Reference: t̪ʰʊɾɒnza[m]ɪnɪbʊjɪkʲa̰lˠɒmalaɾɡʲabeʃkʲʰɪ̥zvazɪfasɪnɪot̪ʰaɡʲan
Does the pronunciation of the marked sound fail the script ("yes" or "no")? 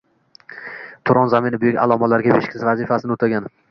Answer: no